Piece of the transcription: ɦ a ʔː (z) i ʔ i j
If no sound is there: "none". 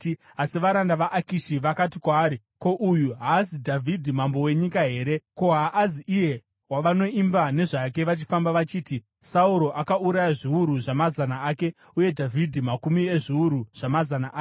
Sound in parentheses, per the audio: z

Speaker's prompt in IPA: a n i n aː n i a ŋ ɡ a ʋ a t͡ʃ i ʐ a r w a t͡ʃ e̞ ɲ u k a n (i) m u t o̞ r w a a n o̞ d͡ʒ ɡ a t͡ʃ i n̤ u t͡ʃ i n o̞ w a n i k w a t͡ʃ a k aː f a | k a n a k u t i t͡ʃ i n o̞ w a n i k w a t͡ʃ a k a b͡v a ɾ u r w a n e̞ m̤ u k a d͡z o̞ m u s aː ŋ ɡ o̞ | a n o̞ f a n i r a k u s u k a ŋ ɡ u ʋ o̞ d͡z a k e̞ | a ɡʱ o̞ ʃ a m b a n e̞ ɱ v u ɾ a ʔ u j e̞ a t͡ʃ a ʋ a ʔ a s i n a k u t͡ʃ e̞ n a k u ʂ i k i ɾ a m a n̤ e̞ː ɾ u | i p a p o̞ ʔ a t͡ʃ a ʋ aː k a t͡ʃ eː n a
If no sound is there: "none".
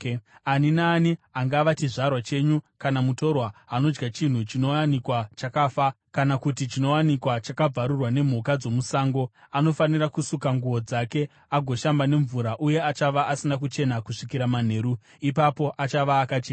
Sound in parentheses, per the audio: a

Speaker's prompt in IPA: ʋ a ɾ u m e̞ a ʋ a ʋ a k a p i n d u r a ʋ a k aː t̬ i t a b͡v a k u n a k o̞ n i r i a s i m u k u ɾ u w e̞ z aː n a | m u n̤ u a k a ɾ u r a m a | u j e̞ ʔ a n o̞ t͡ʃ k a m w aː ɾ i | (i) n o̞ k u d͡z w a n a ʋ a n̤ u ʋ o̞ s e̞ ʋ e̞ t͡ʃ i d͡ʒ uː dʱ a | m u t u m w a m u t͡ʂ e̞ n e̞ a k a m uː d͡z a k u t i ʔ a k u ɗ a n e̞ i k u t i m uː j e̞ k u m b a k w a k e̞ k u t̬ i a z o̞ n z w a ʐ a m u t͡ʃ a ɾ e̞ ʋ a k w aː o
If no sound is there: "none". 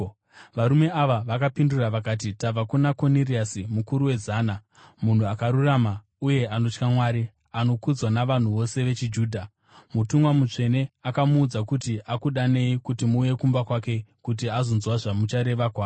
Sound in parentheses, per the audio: a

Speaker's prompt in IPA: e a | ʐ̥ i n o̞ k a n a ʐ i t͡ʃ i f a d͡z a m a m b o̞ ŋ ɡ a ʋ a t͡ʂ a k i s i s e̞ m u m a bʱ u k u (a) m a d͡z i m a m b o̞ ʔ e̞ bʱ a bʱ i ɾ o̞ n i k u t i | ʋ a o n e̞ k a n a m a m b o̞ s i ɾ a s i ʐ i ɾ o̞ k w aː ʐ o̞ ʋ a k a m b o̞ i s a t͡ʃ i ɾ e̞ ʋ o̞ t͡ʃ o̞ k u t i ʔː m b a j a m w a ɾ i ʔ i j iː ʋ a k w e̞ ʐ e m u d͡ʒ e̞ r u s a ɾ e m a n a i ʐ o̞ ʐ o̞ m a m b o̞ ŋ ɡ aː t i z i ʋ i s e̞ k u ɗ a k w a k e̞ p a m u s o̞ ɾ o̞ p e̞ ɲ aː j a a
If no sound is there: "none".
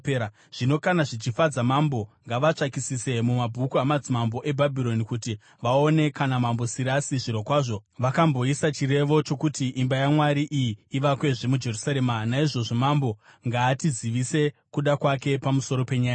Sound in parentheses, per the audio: a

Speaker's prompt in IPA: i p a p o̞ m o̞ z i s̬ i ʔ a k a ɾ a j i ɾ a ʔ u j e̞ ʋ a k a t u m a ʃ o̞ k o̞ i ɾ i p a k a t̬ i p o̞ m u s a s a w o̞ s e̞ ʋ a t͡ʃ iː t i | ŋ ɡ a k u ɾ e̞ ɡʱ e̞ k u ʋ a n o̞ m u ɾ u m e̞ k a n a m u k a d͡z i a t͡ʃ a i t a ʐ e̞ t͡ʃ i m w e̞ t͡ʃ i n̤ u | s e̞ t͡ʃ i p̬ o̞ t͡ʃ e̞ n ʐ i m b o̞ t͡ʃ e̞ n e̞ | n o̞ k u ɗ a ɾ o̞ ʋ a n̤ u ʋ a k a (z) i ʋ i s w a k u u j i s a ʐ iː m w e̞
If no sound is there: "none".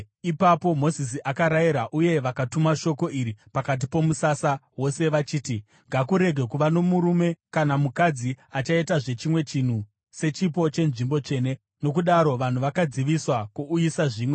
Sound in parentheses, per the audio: d͡z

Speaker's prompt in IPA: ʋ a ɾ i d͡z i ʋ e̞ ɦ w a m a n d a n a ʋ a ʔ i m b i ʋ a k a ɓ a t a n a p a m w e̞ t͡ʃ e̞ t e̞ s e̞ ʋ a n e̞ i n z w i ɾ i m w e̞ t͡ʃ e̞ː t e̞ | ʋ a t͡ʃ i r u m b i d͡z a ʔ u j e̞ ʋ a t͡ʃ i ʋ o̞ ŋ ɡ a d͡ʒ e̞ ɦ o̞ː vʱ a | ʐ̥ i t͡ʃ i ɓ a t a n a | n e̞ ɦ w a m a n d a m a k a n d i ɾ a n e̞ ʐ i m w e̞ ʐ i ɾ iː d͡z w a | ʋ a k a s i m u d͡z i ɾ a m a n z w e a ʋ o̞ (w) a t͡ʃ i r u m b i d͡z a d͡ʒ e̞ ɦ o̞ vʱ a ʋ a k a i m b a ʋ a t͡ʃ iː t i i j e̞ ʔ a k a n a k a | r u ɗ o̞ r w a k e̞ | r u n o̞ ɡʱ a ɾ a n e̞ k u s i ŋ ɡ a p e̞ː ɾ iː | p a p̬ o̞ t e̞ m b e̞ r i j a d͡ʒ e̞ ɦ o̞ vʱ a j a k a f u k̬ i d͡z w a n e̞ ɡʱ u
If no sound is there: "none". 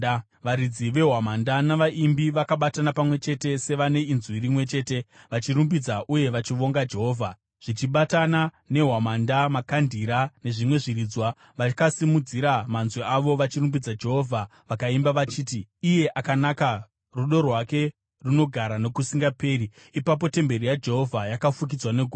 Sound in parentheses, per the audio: ʋ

